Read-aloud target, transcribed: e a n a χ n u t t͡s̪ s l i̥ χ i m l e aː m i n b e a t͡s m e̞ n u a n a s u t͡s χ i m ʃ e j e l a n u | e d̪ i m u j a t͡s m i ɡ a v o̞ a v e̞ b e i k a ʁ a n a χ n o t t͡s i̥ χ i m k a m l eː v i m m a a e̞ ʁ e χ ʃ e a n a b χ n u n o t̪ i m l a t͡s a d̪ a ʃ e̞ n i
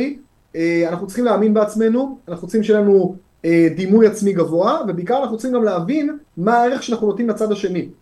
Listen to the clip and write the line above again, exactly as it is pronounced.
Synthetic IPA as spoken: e a n a χ n u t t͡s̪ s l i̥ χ i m l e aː m i n b e a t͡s m e̞ n u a n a χ u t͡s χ i m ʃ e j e l a n u | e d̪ i m u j a t͡s m i ɡ a v o̞ a v e̞ b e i k a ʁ a n a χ n u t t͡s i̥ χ i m ɡ a m l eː v i n m a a e̞ ʁ e χ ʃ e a n a χ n u n o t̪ i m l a t͡s a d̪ a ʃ e̞ n i